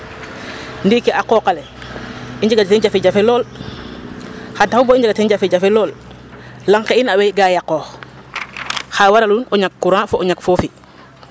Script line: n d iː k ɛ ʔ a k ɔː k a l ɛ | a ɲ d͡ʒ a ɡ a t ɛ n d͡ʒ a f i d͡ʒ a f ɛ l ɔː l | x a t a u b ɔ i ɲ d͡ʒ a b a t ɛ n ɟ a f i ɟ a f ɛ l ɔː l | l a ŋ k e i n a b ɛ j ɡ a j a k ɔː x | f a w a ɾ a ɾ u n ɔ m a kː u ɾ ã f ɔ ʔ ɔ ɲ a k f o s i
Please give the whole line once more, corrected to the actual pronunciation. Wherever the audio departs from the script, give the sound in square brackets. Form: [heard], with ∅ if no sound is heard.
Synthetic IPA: n d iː k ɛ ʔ a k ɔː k a l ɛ | [i] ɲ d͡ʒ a ɡ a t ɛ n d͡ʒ a f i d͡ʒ a f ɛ l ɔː l | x a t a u b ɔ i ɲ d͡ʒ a [ɡ] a t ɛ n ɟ a f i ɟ a f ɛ l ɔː l | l a ŋ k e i n a [w] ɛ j ɡ a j a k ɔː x | [x] a w a ɾ a [l] u n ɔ [ɲ] a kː u ɾ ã f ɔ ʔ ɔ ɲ a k f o [f] i

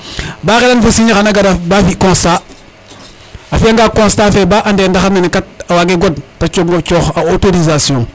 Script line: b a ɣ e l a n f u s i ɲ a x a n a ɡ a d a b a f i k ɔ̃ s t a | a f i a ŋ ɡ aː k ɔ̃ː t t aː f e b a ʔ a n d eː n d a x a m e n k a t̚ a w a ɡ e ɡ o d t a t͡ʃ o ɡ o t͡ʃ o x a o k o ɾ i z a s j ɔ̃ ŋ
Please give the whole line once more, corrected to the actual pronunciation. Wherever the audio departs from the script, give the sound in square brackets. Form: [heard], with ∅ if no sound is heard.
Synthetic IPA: b a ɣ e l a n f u s i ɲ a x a n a ɡ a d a b a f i k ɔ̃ s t a | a f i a ŋ ɡ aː k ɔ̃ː [s] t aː f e b a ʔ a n d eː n d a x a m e n k a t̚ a w a ɡ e ɡ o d t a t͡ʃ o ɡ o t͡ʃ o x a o [t] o ɾ i z a s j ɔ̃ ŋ

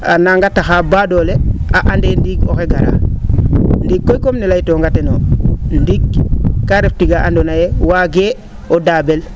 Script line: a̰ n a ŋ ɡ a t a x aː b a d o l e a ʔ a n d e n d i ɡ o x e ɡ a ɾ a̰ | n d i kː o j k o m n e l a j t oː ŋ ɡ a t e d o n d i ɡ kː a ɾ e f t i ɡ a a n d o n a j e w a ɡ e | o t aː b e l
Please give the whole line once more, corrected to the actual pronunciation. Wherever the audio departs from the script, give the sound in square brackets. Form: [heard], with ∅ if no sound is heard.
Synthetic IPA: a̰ n a ŋ ɡ a t a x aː b a d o l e a ʔ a n d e n d i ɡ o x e ɡ a ɾ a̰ | n d i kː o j k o m n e l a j t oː ŋ ɡ a t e [n] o n d i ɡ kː a ɾ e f t i ɡ a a n d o n a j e w a ɡ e | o [d] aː b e l

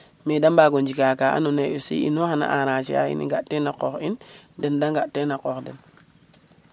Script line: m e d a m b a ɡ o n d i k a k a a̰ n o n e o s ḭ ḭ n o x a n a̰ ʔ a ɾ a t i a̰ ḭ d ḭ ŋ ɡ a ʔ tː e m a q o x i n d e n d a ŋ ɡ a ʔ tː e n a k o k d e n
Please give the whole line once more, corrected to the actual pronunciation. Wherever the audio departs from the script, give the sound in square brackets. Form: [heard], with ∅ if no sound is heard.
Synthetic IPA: m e d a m b a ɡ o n [d͡ʒ] i k a k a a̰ n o n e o s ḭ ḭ n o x a n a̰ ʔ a ɾ a [t͡ʃ] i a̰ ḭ [n] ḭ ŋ ɡ a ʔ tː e [n] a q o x i n d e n d a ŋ ɡ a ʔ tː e n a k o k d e n

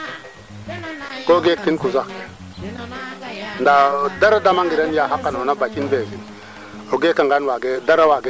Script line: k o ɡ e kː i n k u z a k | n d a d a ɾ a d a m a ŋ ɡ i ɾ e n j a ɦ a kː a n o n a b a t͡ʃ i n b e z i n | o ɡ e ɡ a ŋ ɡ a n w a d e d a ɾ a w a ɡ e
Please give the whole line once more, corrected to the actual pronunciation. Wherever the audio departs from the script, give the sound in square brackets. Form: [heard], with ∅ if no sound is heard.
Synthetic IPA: k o ɡ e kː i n k u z a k | n d a d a ɾ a d a m a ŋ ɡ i ɾ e n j a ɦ a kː a n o n a b a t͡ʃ i n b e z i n | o ɡ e [k] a ŋ ɡ a n w a [ɡ] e d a ɾ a w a ɡ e

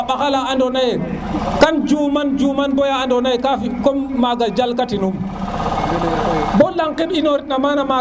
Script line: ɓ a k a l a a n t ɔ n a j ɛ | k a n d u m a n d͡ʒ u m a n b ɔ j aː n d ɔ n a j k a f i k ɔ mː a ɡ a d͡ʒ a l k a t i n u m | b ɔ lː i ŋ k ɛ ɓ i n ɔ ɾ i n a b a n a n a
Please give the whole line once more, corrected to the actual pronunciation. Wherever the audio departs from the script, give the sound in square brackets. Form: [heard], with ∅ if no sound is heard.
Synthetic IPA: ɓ a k a l a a n [d] ɔ n a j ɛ | k a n [d͡ʒ] u m a n d͡ʒ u m a n b ɔ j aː n d ɔ n a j k a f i k ɔ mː a ɡ a d͡ʒ a l k a t i n u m | b ɔ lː [a] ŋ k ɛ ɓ i n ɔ ɾ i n a [m] a n a [m] a

